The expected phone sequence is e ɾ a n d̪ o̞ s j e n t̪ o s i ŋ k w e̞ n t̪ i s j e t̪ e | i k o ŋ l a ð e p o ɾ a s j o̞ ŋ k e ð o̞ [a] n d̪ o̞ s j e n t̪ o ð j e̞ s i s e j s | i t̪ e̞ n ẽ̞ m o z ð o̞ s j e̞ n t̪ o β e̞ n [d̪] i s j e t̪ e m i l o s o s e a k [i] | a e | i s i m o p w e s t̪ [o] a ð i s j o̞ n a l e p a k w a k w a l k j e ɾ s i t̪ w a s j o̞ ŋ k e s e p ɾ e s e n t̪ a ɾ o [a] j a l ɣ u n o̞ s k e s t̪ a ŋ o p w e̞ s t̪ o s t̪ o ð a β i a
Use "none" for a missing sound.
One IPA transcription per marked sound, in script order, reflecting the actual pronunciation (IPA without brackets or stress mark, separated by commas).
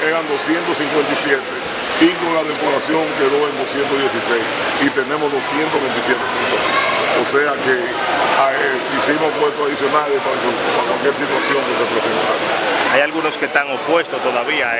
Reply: e, t̪, e, o, a